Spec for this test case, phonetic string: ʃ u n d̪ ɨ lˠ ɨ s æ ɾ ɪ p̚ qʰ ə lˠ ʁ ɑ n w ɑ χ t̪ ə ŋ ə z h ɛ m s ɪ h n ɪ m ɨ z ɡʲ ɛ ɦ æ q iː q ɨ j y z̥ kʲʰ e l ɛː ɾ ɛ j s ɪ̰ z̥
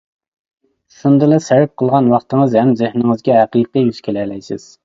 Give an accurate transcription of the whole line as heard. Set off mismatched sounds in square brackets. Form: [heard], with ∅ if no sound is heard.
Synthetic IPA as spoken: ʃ u n d̪ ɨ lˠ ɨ s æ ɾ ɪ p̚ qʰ ə lˠ ʁ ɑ n w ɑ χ t̪ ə ŋ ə z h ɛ m [z] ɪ h n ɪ [ŋ] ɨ z ɡʲ ɛ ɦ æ q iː q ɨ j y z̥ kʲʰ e l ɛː [l] ɛ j s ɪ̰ z̥